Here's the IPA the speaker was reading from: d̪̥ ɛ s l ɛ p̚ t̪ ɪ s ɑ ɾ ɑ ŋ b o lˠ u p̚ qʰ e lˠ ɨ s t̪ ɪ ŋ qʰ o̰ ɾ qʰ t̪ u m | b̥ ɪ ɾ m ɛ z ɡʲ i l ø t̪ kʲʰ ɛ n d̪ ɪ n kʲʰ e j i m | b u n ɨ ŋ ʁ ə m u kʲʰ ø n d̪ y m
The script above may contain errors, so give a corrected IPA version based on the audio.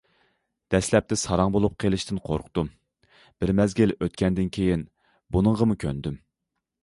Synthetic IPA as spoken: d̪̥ ɛ s l ɛ p̚ t̪ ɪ s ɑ ɾ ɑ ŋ b o lˠ u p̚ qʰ e lˠ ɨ ʃ t̪ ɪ n qʰ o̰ ɾ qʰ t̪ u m | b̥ ɪ ɾ m ɛ z ɡʲ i l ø t̪ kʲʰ ɛ n d̪ ɪ n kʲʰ e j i n | b u n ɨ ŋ ʁ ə m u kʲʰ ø n d̪ y m